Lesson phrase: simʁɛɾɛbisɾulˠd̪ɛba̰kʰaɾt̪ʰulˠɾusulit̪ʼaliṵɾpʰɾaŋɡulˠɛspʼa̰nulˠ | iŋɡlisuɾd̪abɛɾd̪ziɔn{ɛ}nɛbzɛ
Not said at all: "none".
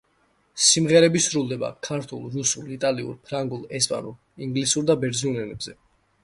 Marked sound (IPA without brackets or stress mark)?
ɛ